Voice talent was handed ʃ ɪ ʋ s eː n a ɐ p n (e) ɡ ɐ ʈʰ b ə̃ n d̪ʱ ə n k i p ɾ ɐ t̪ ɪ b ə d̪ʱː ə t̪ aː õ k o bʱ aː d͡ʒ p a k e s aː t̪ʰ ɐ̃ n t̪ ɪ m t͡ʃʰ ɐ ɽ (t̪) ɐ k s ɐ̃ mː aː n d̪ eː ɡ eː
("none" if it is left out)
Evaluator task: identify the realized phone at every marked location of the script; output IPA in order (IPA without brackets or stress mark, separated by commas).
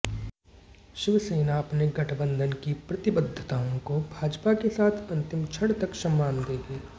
e, t̪